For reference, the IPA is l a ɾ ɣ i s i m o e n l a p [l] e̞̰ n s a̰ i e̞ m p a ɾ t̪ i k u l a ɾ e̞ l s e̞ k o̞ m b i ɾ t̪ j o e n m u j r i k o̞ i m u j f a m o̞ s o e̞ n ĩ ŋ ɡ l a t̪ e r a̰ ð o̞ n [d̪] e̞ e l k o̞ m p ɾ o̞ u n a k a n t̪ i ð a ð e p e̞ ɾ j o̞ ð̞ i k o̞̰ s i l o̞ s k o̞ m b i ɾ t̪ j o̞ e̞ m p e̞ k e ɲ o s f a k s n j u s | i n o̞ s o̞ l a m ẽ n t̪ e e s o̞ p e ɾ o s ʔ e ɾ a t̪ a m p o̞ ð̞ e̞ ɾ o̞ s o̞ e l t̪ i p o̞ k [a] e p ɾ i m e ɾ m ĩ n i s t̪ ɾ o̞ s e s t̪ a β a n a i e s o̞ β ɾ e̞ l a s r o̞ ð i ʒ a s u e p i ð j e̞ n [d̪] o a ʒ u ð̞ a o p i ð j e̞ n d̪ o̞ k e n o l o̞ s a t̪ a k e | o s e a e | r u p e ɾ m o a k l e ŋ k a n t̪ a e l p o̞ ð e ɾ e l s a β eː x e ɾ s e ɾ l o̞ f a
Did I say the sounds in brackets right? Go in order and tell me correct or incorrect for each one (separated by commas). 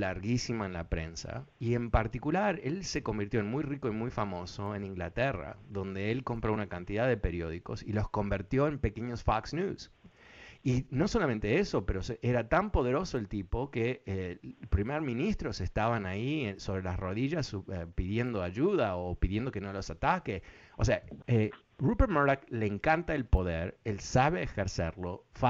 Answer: incorrect, correct, incorrect, correct